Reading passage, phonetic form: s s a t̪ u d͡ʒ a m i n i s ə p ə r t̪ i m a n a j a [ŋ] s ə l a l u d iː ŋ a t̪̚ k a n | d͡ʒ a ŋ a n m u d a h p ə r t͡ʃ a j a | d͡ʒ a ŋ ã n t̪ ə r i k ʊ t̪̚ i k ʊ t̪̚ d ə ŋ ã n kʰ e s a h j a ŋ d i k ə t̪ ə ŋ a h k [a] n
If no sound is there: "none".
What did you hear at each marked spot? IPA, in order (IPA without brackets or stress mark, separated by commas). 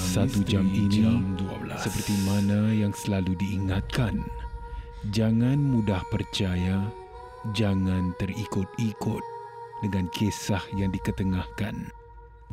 ŋ, a